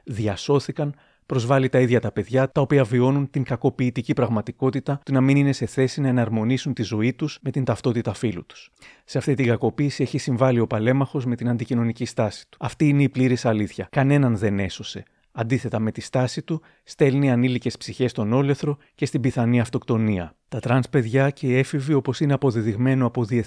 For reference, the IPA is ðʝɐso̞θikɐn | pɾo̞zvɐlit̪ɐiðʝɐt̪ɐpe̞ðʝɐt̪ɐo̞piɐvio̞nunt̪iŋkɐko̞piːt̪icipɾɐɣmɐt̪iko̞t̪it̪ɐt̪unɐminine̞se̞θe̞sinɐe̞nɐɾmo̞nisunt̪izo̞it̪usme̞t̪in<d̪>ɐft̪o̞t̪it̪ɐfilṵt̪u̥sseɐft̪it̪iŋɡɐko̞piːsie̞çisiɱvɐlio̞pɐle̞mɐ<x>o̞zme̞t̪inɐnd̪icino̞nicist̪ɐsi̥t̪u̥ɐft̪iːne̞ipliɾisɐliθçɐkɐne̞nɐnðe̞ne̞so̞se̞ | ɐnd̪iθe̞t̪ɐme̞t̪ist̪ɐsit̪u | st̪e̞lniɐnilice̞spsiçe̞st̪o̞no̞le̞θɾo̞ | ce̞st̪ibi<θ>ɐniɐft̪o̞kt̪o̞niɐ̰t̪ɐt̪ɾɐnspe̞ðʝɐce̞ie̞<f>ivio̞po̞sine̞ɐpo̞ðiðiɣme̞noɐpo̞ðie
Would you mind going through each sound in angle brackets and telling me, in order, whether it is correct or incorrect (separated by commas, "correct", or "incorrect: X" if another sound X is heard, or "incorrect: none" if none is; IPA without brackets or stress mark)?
incorrect: t̪, correct, correct, correct